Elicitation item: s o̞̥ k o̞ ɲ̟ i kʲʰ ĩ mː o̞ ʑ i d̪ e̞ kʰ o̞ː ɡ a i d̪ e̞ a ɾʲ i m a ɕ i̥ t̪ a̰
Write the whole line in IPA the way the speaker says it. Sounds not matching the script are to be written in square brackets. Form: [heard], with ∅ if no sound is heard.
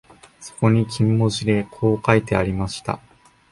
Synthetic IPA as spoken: s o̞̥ k o̞ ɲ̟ i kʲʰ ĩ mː o̞ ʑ i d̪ e̞ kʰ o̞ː [k] a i [t̪] e̞ a ɾʲ i m a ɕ i̥ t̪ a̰